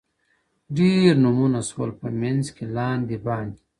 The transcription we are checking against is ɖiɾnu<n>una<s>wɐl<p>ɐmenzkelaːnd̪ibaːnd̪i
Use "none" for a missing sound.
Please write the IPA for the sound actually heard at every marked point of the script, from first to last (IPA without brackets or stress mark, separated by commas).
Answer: m, s, p